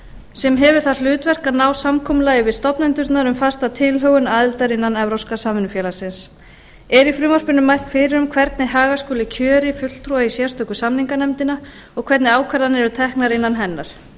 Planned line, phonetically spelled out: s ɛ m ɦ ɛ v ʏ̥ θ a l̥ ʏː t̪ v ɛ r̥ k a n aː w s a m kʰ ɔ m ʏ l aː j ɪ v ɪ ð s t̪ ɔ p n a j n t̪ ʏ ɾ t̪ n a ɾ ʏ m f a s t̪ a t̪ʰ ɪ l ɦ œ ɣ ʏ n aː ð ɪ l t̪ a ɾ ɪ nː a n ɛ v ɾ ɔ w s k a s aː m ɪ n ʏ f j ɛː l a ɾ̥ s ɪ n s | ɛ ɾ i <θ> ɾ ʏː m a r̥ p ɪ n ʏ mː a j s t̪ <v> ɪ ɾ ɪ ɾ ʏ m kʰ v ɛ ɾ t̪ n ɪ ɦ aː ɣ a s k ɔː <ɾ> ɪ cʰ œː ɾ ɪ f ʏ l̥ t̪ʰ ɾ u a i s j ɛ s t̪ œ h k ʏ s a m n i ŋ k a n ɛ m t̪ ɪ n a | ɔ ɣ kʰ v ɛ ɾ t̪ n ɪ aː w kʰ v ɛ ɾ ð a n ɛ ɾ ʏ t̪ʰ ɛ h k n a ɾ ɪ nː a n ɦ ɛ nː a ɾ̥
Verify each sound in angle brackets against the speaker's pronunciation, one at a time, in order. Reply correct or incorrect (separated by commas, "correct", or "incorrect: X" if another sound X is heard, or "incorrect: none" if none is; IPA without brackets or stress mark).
incorrect: f, incorrect: f, incorrect: l